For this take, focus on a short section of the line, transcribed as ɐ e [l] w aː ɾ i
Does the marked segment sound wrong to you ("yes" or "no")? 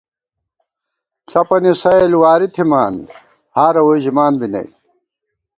no